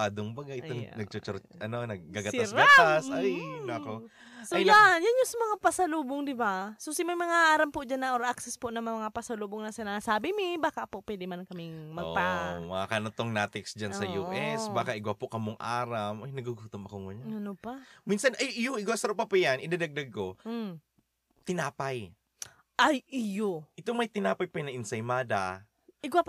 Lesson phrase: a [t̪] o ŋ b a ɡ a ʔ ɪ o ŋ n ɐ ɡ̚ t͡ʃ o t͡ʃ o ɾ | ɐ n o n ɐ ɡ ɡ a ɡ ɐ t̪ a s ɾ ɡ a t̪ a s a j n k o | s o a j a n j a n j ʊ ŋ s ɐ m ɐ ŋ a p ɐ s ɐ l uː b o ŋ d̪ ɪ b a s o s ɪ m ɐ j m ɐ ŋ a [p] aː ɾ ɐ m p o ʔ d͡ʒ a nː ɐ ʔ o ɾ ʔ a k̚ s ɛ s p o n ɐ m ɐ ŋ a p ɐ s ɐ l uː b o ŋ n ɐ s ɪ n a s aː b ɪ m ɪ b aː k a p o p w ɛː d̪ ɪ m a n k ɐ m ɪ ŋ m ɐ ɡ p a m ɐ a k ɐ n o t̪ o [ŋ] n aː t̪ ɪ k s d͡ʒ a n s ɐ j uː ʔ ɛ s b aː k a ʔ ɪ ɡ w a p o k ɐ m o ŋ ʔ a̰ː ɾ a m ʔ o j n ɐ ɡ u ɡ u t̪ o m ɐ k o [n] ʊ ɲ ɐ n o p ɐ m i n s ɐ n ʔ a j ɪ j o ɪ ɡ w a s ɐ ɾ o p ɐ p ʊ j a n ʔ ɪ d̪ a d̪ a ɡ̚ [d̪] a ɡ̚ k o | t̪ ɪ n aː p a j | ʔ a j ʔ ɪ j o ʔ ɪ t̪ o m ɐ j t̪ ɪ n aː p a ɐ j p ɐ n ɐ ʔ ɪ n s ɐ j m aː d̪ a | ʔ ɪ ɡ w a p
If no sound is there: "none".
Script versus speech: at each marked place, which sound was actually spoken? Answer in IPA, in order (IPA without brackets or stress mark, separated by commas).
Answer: d̪, ʔ, ŋ, ŋ, d̪